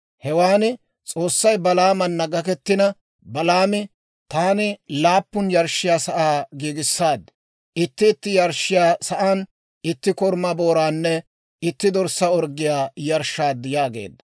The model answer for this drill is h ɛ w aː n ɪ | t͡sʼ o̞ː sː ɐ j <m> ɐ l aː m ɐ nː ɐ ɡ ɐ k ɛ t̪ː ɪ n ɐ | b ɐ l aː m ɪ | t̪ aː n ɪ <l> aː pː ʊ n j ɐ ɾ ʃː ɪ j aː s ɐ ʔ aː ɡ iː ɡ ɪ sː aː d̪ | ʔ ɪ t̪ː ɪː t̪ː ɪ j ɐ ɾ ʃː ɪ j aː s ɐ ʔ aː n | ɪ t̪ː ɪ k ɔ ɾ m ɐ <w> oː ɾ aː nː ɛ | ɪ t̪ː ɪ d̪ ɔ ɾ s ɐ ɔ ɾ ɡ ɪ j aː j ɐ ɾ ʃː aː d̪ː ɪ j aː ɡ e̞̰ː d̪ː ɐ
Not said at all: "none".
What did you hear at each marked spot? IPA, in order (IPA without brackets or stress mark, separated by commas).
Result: b, l, b